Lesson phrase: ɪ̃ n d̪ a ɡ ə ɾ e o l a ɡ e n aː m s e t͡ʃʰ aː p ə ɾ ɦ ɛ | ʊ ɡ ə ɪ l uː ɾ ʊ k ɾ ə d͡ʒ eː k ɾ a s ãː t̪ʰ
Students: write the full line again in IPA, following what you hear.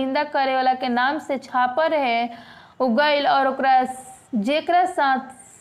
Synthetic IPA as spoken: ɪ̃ n d̪ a k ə ɾ e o l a k e n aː m s e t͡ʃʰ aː p ə ɾ ɦ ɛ | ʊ ɡ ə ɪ l ɔː ɾ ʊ k ɾ a d͡ʒ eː k ɾ a s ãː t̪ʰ